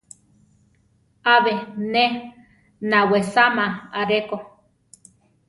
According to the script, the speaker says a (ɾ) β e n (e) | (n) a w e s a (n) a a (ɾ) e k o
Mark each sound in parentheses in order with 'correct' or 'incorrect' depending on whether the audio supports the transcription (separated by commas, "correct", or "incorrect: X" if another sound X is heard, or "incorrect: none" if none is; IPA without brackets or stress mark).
incorrect: none, correct, correct, incorrect: m, correct